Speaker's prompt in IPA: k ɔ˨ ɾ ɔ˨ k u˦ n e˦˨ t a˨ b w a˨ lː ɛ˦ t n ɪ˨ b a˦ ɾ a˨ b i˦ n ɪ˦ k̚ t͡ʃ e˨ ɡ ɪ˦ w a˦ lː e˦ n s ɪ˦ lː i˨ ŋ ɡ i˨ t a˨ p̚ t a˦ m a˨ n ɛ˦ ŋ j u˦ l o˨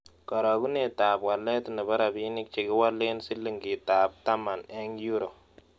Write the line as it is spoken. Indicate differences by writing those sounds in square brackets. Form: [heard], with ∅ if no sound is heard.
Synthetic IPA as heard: k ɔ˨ ɾ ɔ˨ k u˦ n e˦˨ t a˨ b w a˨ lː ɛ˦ t n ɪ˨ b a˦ ɾ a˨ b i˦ n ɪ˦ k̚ t͡ʃ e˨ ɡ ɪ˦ w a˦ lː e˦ n s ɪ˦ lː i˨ ŋ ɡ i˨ t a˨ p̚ t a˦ m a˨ n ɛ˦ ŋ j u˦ [ɾ] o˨